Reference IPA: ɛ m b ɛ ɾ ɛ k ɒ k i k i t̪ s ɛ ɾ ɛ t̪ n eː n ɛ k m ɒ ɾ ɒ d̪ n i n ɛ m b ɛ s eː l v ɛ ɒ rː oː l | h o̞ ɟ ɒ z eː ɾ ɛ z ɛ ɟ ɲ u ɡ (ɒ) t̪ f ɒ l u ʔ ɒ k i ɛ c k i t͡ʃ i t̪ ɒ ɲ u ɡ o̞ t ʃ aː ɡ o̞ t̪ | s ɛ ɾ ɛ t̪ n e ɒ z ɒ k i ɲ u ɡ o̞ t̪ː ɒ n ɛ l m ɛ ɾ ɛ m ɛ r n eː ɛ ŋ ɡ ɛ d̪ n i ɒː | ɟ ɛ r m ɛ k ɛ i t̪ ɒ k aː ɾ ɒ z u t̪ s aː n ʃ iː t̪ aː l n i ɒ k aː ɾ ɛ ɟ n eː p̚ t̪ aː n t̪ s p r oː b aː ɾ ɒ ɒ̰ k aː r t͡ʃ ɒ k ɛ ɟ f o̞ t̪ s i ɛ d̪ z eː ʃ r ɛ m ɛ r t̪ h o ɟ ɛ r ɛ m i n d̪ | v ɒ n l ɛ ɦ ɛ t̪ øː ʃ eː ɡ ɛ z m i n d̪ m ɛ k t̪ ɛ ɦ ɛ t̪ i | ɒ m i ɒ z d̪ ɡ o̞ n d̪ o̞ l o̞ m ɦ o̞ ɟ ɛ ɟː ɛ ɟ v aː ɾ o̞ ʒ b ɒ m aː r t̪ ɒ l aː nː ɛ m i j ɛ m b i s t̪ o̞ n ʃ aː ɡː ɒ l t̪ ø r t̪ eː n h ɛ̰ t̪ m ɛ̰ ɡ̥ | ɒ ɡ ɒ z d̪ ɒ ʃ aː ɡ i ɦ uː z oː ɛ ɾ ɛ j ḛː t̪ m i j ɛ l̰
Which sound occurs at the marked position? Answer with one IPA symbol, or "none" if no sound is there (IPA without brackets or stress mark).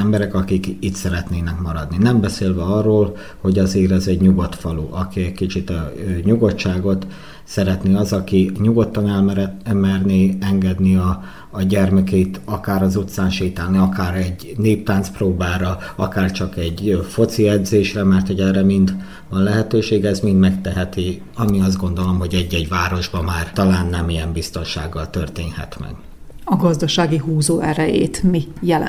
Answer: o